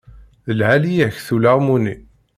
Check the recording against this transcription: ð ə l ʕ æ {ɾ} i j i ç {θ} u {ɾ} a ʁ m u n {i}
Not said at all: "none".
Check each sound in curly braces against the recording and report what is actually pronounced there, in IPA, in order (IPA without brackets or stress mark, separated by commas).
l, θ, l, i